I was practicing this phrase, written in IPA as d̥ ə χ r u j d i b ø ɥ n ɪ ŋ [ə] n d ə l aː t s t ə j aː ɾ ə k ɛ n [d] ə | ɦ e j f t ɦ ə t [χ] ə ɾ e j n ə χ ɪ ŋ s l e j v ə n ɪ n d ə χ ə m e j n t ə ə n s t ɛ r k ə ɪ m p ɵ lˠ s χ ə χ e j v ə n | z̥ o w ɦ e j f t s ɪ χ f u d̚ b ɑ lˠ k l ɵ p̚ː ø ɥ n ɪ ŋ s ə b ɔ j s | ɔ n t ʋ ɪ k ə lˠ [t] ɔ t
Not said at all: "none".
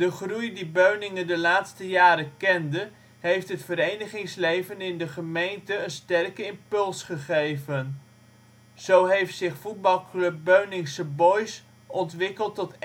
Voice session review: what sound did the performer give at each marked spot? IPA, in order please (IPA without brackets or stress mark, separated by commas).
ə, d, f, t